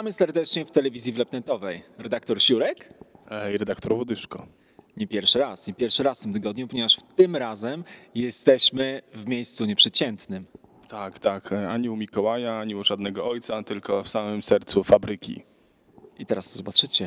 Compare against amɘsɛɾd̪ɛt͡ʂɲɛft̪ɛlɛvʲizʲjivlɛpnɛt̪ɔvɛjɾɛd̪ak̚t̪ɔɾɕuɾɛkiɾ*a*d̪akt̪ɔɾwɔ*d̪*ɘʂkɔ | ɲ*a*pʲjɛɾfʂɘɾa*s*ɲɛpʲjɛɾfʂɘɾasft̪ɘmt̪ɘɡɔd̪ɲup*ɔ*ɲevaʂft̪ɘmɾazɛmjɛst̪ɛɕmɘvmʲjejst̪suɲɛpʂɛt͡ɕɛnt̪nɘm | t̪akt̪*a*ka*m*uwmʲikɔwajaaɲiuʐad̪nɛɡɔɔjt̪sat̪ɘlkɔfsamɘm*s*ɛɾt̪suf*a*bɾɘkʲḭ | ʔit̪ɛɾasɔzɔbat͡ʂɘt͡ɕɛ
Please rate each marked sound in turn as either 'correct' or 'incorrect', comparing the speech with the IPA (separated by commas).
incorrect, correct, incorrect, correct, correct, correct, incorrect, correct, correct